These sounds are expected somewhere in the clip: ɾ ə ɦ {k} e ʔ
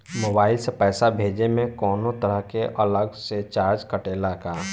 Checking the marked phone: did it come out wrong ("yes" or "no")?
no